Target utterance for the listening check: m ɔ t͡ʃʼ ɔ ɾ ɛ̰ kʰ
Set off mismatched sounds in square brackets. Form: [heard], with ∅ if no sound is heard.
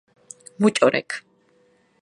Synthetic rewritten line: m [u] t͡ʃʼ ɔ ɾ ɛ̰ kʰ